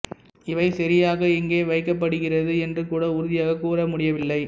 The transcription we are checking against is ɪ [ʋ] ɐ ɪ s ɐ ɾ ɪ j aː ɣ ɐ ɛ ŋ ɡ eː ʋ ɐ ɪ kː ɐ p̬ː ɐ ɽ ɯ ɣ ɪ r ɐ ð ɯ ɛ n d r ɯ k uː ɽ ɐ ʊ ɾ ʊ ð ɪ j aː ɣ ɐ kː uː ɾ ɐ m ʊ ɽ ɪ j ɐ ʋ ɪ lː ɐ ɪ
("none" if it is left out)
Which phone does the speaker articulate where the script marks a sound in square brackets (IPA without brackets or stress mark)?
ʋ